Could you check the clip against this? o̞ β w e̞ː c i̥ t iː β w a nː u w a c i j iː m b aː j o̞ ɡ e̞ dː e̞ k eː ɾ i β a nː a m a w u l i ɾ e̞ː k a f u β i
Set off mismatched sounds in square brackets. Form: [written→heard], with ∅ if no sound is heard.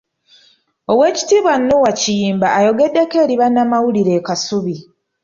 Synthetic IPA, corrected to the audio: o̞ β w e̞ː c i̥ t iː β w a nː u w a c i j iː m b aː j o̞ ɡ e̞ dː e̞ k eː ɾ i β a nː a m a w u l i ɾ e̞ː k a [f→s] u β i